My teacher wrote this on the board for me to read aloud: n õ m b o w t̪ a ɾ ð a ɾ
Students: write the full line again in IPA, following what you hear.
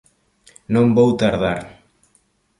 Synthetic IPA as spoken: n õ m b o w t̪ a ɾ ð a ɾ